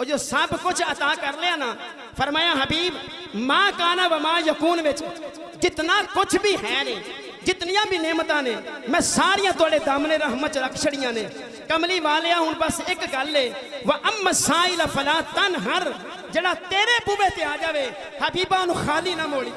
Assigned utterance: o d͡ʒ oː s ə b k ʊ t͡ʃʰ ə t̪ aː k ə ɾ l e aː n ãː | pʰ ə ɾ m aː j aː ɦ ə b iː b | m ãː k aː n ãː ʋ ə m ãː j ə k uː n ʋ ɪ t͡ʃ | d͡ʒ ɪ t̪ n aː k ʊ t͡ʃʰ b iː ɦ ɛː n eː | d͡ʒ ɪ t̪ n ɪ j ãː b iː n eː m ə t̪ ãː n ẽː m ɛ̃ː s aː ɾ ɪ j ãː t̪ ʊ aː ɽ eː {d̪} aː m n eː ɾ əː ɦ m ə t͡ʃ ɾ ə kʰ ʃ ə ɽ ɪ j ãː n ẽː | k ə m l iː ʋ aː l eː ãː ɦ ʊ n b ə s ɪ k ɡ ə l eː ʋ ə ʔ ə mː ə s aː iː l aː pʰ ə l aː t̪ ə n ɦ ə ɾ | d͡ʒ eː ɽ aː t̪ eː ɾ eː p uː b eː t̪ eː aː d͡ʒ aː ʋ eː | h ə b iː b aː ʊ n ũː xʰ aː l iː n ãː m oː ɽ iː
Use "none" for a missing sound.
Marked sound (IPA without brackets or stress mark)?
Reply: d̪